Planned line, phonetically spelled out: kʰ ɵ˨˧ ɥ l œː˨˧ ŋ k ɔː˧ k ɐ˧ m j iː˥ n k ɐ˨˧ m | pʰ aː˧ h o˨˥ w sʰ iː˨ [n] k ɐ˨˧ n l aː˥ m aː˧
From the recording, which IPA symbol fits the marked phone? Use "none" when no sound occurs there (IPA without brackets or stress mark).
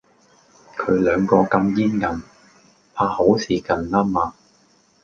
none